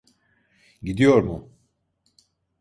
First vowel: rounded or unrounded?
unrounded